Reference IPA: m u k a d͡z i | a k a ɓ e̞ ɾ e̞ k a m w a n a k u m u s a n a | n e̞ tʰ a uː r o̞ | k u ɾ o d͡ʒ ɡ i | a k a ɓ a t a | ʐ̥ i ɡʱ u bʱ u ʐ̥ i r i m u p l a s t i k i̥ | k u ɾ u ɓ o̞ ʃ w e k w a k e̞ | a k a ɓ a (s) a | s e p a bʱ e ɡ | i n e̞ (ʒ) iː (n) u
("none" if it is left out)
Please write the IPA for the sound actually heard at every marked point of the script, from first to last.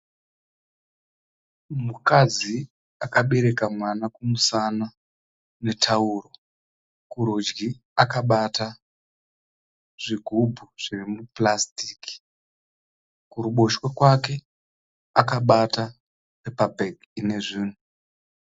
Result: t, ʐ, n

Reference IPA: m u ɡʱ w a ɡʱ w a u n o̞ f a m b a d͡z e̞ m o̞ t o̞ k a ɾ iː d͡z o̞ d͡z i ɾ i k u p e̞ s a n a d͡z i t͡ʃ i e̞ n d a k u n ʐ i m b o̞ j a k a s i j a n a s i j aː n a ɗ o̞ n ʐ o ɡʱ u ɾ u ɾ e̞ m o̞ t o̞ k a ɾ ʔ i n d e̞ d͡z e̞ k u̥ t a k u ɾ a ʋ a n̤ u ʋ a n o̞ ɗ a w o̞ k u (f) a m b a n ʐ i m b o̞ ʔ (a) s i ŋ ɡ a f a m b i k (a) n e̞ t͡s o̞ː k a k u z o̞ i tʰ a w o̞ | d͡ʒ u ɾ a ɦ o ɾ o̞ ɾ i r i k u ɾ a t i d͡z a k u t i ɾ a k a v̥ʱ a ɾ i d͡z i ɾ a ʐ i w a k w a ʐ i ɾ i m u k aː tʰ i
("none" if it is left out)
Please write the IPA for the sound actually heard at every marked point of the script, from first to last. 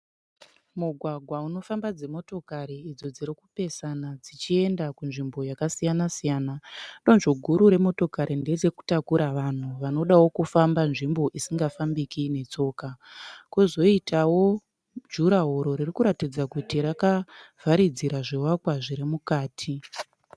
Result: f, i, i

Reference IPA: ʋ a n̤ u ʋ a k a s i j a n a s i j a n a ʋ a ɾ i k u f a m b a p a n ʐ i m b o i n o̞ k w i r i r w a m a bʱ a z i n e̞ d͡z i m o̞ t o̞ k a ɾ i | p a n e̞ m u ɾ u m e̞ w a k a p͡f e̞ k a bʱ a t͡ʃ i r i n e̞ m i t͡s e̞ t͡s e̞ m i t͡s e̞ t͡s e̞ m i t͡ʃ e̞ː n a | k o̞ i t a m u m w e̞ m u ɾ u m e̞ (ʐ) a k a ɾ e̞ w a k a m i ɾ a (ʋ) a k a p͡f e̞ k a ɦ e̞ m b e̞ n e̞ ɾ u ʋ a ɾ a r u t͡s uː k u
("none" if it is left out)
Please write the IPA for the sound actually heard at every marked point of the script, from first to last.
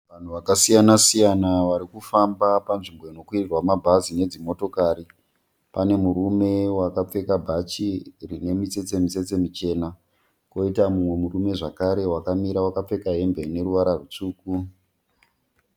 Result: ʐ, w

